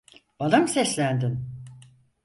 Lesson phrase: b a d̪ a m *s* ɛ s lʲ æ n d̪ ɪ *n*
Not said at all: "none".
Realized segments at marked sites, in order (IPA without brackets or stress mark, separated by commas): s, n